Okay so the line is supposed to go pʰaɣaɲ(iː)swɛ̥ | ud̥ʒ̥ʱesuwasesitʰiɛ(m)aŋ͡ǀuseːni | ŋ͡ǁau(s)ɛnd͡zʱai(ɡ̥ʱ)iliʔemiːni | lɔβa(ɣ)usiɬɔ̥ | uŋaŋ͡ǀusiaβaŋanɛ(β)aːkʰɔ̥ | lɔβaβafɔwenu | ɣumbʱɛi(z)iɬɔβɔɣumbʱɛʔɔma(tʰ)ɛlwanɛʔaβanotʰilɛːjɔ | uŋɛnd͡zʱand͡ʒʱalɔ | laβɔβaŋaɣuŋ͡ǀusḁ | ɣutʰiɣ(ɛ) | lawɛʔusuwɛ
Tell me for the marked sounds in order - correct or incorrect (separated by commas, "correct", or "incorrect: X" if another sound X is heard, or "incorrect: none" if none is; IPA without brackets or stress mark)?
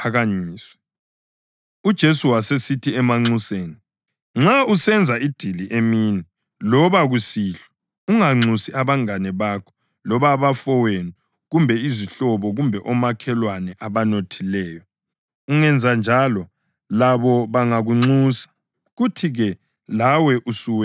correct, correct, correct, incorrect: d̥ʱ, correct, correct, correct, incorrect: kʰ, correct